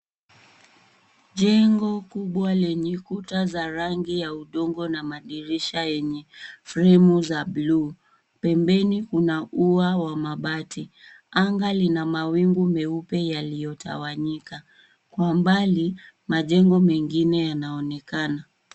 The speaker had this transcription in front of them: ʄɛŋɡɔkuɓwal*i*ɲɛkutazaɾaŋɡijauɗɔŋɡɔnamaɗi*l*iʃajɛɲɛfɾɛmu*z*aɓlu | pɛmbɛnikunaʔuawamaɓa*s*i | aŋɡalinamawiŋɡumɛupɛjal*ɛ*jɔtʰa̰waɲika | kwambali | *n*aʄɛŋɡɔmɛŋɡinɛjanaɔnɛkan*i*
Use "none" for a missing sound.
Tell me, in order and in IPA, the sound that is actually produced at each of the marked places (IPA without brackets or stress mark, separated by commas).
ɛ, ɾ, z, t, i, m, a